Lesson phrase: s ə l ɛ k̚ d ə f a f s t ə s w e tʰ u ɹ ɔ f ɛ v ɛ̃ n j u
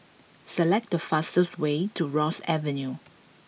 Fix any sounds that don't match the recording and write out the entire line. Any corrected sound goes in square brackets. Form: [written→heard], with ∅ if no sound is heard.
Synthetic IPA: s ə l ɛ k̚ d ə f a [f→∅] s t ə s w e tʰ u ɹ ɔ [f→s] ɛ v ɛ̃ n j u